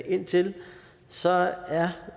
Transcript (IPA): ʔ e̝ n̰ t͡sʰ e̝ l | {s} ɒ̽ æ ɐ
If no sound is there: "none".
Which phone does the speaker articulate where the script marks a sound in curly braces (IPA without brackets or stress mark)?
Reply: s